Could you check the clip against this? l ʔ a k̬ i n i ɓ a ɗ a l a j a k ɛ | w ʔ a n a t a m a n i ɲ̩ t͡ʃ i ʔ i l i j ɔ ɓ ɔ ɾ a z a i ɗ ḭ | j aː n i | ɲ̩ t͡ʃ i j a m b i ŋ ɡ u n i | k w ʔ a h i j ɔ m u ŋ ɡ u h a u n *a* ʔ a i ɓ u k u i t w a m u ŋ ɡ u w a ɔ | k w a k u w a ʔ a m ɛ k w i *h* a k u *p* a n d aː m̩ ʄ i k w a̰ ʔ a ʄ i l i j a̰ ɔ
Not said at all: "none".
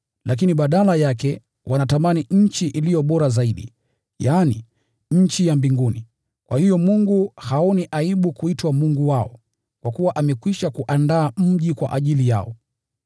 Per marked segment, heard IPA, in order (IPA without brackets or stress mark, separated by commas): i, ʃ, ʔ